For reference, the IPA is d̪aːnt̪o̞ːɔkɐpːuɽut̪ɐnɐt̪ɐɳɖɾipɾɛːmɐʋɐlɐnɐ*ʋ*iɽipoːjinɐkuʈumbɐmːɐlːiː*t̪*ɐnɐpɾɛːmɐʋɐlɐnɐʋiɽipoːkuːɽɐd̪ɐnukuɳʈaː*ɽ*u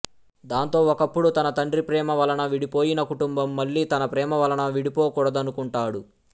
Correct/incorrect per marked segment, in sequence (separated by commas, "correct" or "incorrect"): correct, correct, correct